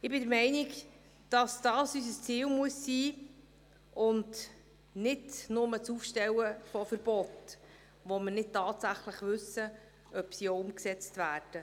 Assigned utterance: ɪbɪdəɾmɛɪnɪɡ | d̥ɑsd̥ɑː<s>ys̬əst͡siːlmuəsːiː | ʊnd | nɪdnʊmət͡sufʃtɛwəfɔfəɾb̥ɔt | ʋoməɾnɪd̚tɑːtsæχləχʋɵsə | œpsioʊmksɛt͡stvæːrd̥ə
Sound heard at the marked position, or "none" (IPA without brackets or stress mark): s